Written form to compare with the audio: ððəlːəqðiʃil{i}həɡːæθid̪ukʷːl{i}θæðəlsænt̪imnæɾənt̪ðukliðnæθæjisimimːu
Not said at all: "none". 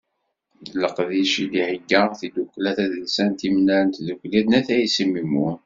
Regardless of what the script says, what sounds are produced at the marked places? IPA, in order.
i, æ

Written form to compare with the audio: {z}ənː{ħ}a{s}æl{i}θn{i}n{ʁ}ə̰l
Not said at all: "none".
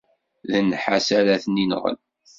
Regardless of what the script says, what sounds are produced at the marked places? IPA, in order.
ð, ħ, s, æ, i, ʁ

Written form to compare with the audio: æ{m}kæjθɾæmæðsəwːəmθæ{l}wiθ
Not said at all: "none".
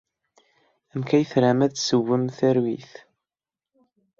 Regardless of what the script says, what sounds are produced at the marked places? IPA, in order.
m, ɾ

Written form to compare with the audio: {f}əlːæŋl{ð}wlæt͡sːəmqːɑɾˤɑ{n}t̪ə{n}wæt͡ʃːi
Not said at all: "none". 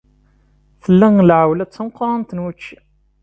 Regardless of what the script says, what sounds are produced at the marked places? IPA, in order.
θ, ʕ, n, n

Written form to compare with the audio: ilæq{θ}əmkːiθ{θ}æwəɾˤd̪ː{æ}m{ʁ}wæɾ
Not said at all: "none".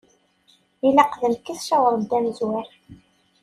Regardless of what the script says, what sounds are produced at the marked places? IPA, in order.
ð, ʃ, æ, z

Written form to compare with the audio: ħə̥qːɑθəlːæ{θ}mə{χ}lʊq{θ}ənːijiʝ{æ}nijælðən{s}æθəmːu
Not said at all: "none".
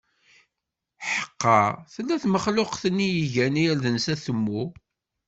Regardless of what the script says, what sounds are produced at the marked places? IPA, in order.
θ, χ, θ, æ, s

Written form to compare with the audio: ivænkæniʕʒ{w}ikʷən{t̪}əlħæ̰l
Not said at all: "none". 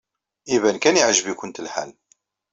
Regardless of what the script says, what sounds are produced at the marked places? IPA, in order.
v, t̪

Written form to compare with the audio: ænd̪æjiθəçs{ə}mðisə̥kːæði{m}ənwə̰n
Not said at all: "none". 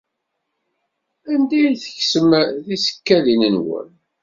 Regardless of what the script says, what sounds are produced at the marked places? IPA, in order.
ə, n

